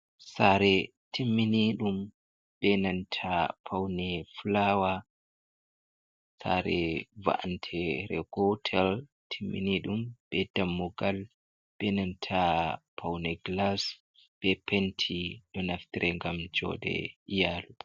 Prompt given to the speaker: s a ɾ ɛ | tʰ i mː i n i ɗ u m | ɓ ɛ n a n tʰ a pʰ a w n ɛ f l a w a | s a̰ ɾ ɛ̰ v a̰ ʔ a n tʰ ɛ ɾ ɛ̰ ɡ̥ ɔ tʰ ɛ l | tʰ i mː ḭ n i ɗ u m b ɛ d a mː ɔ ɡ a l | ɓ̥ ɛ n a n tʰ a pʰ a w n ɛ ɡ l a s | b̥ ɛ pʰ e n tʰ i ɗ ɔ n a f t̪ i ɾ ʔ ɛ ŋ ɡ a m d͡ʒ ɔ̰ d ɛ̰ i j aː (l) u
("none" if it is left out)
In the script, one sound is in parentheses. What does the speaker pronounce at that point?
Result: l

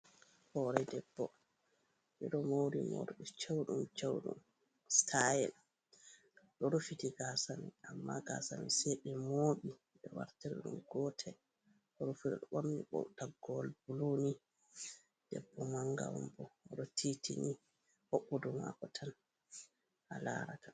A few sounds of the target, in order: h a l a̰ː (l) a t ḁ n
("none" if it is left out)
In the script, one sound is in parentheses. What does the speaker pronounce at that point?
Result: ɾ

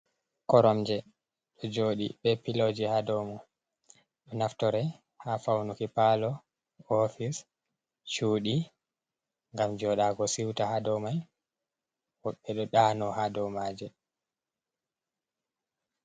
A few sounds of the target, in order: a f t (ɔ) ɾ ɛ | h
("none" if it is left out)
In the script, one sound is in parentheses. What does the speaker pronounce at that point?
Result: ɔ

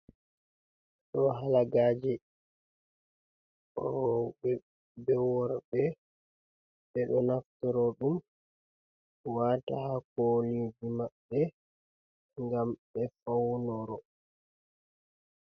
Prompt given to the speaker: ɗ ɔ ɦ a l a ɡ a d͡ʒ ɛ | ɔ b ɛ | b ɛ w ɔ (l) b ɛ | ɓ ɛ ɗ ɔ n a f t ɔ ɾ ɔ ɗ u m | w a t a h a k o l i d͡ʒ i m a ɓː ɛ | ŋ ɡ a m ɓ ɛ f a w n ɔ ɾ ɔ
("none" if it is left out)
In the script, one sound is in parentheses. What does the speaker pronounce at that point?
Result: ɾ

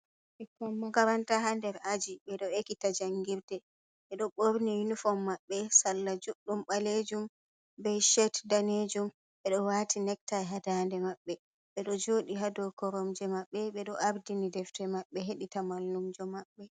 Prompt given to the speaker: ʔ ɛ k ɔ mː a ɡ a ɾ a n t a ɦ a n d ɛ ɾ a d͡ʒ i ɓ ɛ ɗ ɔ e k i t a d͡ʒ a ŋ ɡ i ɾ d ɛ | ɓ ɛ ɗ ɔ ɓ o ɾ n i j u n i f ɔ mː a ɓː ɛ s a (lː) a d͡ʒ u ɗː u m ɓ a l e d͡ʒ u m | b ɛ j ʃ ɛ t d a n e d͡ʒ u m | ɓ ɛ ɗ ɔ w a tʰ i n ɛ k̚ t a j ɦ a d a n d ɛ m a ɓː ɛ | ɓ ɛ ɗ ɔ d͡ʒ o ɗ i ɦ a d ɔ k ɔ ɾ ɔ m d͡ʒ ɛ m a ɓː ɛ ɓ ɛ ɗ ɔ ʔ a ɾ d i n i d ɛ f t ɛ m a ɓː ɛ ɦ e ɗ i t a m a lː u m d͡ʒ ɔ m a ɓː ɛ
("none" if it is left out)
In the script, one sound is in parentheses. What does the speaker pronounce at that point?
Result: lː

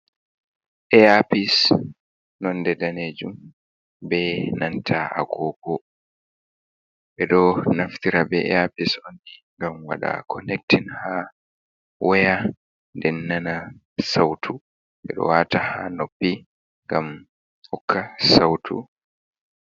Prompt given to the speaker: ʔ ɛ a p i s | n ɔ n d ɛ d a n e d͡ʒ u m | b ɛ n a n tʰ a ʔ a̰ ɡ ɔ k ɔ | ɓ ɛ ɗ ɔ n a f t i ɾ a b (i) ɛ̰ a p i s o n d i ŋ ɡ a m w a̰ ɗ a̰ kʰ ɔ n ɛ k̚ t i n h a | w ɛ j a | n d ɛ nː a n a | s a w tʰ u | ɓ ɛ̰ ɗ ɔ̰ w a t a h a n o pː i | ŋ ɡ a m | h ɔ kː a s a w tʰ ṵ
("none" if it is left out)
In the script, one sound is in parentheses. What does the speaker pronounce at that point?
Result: ɛ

